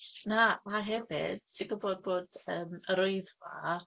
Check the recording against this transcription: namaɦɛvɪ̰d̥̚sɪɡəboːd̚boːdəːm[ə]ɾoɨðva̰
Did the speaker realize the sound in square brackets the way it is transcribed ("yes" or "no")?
yes